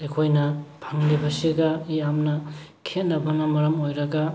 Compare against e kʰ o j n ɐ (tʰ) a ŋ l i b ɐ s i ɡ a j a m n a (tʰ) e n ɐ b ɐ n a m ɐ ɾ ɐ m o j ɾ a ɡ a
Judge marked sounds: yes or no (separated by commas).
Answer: no, no